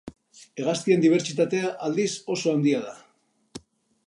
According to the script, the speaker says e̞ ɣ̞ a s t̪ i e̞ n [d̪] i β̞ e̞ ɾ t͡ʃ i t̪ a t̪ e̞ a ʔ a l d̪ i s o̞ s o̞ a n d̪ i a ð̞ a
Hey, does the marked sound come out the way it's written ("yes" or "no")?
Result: yes